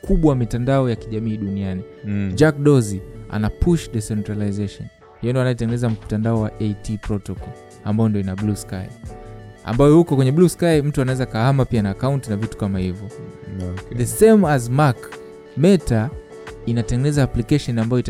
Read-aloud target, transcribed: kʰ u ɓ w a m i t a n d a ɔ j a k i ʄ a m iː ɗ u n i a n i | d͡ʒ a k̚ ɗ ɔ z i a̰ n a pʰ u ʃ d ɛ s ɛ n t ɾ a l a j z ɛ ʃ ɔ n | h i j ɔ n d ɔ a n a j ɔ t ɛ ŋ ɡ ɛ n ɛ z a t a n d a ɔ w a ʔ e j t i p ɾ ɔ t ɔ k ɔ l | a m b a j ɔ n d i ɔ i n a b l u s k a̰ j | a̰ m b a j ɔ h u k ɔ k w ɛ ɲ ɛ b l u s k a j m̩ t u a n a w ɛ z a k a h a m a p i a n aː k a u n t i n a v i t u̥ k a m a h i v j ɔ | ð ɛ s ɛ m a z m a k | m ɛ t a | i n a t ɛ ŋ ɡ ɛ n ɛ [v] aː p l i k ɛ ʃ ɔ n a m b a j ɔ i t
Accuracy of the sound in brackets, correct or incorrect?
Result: incorrect